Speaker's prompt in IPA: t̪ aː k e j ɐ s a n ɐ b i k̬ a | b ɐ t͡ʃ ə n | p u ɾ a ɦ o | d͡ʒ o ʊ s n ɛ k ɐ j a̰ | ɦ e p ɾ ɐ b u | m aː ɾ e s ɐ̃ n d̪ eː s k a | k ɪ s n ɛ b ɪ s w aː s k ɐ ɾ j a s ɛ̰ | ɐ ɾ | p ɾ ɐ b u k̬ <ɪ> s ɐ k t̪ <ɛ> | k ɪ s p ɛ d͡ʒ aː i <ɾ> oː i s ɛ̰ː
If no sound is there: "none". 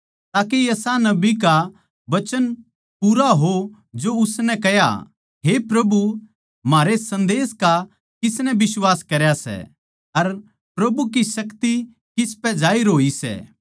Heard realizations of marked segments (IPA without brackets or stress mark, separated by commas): i, i, ɾ